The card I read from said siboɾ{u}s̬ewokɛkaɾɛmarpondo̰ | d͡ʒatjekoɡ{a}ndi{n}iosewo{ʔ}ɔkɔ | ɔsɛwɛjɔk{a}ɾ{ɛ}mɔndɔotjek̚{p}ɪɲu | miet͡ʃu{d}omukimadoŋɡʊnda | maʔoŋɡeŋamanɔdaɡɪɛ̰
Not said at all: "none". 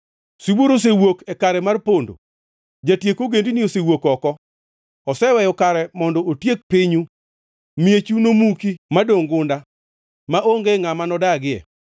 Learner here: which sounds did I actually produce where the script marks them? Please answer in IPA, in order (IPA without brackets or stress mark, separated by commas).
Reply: o, e, n, k, a, ɛ, p, n